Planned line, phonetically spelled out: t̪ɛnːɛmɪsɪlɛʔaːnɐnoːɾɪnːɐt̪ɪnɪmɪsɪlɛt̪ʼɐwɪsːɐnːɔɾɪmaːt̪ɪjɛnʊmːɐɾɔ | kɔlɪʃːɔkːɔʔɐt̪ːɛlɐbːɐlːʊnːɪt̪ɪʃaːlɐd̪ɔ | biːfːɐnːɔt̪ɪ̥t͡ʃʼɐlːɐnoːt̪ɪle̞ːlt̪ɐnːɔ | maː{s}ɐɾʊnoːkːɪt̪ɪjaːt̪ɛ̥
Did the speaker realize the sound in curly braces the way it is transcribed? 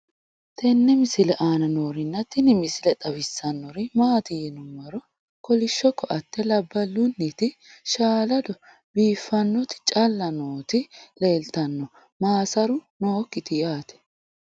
yes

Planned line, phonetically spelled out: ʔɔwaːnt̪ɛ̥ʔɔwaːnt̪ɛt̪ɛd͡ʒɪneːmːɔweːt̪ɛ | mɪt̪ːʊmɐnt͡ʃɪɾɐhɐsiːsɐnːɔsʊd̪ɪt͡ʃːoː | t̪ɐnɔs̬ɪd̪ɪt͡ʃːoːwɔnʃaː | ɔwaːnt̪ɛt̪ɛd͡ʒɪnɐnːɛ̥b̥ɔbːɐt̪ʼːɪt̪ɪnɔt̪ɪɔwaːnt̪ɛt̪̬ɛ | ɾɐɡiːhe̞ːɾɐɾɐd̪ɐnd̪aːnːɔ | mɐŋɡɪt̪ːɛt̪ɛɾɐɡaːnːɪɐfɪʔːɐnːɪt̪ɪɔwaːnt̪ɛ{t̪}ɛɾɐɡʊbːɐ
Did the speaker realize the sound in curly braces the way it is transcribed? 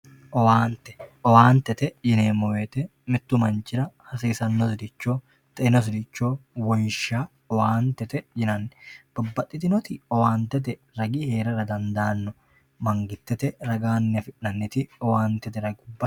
yes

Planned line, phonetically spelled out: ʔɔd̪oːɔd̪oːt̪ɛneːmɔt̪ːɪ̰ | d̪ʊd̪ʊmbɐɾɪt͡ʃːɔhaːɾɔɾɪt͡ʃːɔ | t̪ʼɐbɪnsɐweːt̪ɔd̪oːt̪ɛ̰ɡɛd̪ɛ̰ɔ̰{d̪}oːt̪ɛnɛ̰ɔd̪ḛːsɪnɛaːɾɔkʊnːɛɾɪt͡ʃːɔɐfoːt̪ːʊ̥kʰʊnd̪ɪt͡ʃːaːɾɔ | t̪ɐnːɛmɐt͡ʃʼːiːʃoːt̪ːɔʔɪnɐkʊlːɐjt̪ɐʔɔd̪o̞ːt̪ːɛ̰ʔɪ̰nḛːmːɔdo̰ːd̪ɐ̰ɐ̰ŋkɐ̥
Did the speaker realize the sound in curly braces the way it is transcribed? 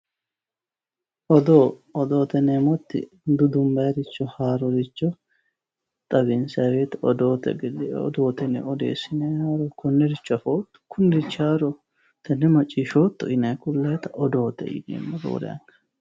yes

